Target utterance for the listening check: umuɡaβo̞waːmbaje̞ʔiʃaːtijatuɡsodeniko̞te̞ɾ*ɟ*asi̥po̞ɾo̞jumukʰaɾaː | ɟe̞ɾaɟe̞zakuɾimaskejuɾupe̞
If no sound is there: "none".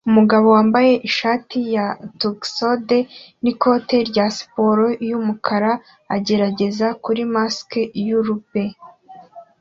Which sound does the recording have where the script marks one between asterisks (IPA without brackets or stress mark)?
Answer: ɟ